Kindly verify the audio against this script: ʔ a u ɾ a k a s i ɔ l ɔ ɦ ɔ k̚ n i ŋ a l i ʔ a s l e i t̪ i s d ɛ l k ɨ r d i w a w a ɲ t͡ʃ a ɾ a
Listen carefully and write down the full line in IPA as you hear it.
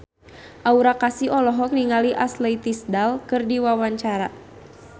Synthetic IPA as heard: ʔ a u ɾ a k a s i ɔ l ɔ ɦ ɔ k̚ n i ŋ a l i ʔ a s l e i t̪ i s d a l k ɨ r d i w a w a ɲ t͡ʃ a ɾ a